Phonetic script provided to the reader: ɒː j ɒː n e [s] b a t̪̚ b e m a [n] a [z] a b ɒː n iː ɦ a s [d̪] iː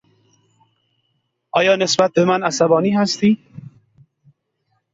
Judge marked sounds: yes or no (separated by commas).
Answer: yes, yes, no, no